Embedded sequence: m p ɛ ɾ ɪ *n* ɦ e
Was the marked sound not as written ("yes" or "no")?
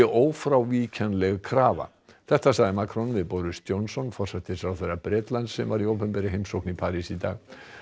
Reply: yes